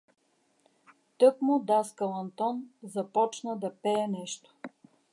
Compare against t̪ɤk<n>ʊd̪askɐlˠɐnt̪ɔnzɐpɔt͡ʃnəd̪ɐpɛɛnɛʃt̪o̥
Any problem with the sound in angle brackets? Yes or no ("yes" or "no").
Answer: yes